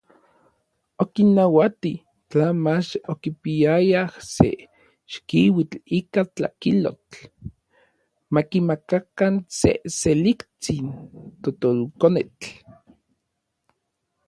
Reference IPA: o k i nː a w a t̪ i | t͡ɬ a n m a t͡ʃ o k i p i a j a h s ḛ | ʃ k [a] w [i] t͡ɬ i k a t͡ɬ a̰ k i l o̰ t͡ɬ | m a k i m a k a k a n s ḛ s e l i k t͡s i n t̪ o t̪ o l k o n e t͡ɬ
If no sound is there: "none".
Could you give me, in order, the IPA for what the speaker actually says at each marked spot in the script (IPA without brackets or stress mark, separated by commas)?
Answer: i, i